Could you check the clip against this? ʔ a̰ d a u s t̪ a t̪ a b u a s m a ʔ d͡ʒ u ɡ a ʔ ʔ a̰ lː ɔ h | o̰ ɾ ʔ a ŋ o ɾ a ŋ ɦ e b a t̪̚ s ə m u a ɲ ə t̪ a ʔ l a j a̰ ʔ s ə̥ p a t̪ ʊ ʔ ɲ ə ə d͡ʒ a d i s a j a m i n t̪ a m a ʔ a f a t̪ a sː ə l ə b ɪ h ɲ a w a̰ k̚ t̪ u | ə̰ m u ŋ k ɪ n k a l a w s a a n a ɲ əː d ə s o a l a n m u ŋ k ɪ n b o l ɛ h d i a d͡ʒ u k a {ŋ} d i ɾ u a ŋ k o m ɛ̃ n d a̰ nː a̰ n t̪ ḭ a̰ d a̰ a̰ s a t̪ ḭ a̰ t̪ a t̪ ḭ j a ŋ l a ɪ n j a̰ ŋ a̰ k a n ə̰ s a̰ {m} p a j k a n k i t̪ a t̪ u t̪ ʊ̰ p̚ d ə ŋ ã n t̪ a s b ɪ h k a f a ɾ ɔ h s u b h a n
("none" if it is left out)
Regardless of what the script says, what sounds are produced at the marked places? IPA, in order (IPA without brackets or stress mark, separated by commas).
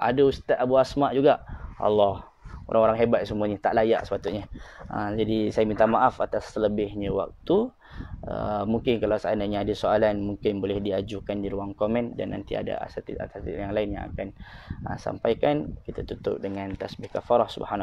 n, m